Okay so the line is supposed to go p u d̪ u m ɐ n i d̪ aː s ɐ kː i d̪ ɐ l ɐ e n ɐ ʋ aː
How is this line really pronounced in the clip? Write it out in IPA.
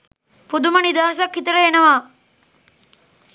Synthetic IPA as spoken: p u d̪ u m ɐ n i d̪ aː s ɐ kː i t̪ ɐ ɾ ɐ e n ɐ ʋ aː